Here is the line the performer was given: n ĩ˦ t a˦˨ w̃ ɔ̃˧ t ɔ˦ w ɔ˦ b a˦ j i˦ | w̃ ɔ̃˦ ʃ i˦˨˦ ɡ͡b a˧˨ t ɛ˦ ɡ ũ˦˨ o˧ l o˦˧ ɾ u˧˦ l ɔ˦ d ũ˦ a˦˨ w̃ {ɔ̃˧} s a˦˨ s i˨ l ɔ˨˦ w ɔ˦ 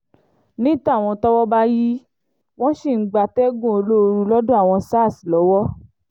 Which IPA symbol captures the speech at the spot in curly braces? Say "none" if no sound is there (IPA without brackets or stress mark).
ɔ̃˧